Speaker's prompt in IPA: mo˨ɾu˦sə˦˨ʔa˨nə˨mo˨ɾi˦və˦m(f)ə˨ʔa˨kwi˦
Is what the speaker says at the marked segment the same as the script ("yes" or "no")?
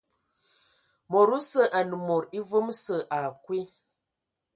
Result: no